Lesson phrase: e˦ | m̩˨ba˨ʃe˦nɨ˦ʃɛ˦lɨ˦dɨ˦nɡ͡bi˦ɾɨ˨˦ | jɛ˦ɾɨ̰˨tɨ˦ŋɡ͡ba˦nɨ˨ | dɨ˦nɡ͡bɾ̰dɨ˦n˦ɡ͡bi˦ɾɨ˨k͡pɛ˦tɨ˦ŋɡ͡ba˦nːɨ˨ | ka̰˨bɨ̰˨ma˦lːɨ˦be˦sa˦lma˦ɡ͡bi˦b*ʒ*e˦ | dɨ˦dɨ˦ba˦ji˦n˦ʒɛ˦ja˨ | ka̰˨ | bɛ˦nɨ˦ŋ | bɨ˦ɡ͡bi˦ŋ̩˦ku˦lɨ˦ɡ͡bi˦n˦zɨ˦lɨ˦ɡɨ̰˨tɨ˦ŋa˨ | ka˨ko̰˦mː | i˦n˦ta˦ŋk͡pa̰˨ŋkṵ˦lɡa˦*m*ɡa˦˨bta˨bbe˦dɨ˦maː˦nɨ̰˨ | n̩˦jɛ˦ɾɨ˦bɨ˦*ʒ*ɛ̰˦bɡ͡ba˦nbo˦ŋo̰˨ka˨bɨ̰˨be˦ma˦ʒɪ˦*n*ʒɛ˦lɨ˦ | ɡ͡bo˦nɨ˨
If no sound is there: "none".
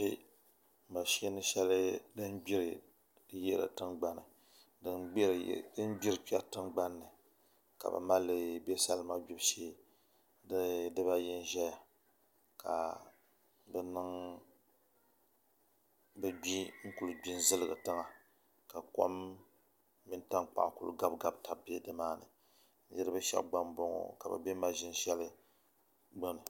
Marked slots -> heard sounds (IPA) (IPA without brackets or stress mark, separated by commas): ʃ, b, ʃ, n